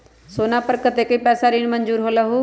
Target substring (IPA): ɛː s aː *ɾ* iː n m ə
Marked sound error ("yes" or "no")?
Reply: no